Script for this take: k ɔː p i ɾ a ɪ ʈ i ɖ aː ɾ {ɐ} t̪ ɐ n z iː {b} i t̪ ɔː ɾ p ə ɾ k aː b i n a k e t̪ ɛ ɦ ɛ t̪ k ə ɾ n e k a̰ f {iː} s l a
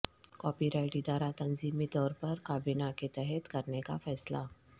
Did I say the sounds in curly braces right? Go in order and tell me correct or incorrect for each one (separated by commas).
incorrect, incorrect, incorrect